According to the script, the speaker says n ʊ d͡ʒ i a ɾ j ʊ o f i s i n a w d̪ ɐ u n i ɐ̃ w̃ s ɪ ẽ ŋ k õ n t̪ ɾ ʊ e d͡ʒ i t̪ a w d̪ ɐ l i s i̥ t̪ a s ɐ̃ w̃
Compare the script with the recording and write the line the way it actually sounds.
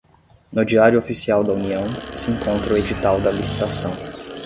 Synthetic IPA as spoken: n ʊ d͡ʒ i a ɾ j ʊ o f i s i a w d̪ ɐ u n i ɐ̃ w̃ s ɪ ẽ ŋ k õ n t̪ ɾ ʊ e d͡ʒ i t̪ a w d̪ ɐ l i s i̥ t̪ a s ɐ̃ w̃